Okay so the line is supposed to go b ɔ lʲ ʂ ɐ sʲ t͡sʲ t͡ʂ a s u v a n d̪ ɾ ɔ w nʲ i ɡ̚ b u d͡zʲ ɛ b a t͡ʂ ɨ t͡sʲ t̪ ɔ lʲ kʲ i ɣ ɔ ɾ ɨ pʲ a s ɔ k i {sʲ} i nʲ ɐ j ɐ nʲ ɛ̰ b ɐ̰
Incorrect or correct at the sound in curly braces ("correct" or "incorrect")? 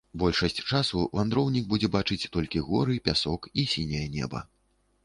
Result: correct